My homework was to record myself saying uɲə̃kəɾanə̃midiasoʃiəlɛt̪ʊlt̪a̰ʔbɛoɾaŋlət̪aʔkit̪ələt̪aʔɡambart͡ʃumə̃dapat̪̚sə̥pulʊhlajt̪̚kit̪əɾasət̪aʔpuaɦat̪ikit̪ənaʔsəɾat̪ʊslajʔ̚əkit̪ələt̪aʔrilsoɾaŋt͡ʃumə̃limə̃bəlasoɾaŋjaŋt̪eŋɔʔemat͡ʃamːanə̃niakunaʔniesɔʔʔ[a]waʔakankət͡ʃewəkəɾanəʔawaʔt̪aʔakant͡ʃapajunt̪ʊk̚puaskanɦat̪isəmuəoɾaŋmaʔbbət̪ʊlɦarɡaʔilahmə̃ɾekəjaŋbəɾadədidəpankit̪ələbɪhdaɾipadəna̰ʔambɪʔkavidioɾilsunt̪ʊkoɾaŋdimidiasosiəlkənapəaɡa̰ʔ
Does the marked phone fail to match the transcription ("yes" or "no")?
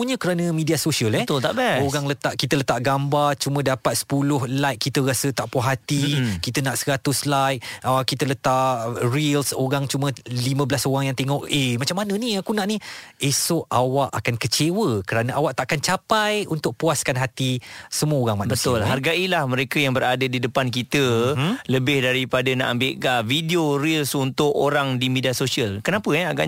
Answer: no